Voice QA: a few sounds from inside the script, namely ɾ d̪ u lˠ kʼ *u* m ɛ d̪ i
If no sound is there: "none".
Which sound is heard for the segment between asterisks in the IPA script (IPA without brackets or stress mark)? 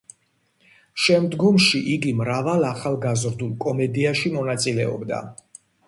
ɔ